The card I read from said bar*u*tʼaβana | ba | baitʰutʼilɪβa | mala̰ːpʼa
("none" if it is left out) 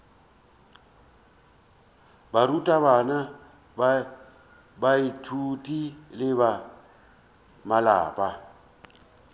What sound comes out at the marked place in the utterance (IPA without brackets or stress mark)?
u